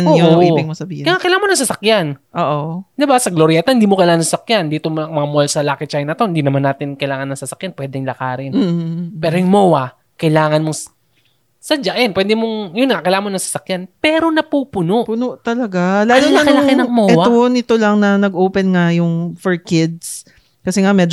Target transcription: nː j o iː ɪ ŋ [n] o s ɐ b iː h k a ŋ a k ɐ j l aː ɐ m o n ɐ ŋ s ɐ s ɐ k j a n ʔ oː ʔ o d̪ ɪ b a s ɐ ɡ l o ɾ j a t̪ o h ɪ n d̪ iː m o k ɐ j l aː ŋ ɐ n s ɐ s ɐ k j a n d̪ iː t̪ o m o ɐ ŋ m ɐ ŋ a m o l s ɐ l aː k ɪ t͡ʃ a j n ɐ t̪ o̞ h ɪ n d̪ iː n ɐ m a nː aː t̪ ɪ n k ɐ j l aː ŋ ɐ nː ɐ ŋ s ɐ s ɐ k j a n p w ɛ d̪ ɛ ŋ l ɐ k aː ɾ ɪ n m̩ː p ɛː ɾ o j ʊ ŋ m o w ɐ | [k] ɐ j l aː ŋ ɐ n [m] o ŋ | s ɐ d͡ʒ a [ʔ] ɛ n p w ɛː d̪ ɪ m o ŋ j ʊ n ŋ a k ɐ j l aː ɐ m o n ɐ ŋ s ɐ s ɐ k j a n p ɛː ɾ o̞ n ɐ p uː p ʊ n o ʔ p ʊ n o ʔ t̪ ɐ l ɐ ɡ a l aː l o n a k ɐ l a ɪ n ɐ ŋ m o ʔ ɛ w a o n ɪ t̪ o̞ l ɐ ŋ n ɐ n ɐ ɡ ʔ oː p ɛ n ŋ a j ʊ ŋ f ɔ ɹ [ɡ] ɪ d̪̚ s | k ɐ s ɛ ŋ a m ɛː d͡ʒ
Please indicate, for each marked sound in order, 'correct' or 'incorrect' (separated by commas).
incorrect, correct, correct, correct, incorrect